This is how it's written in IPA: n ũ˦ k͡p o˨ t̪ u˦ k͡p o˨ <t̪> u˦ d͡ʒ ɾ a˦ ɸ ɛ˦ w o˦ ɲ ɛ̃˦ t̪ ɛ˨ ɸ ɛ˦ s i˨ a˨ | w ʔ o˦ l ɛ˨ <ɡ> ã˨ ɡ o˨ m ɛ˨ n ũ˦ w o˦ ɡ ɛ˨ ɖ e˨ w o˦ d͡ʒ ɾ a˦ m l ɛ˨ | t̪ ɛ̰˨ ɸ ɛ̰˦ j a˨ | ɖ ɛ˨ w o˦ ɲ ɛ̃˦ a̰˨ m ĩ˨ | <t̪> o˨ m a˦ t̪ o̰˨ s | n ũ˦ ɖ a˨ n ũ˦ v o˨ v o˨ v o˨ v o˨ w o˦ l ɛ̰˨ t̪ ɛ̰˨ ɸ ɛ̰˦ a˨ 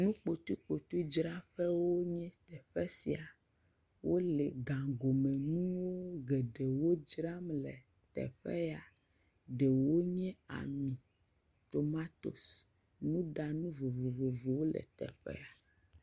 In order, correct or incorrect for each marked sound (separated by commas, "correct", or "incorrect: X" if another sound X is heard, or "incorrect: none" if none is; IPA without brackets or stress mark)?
correct, correct, correct